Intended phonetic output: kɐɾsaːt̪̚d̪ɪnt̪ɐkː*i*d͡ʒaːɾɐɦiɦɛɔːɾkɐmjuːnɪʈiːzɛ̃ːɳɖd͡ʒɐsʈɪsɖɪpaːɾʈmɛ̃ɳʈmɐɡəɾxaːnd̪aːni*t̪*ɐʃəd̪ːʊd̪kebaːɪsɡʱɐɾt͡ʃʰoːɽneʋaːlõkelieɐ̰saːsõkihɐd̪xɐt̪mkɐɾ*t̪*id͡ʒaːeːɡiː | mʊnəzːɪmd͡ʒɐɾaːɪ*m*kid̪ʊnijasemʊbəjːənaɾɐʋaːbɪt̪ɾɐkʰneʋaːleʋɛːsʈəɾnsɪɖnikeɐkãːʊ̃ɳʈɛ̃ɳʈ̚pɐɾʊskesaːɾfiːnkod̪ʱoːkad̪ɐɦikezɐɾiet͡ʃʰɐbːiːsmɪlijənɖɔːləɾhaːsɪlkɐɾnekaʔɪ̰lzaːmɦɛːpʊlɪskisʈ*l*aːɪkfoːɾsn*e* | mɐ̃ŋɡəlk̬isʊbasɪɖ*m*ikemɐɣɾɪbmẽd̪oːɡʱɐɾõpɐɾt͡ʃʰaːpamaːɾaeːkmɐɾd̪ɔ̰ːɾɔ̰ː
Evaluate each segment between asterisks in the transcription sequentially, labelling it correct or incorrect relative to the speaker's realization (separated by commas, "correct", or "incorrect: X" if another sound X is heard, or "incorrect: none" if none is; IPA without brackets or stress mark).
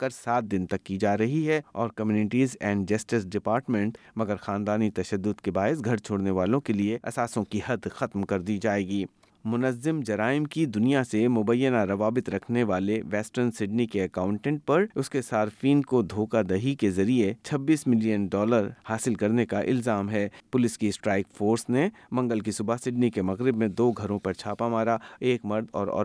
correct, correct, incorrect: d̪, correct, incorrect: ɾ, correct, incorrect: n